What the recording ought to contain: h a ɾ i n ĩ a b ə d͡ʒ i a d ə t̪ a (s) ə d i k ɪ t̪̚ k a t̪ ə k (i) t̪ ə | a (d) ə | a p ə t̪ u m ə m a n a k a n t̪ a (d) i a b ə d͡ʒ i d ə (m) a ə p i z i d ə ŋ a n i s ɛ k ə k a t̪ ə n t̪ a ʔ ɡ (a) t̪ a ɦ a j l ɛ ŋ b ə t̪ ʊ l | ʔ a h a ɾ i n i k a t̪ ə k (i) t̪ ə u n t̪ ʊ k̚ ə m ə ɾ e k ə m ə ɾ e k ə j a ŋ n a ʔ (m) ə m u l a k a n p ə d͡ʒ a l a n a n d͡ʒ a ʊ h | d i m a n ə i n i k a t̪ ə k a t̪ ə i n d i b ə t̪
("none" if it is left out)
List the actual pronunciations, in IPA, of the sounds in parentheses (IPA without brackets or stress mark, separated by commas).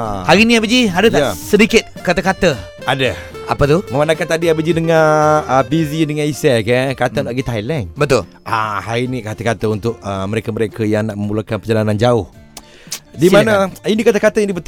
s, a, d, d, ŋ, i, a, m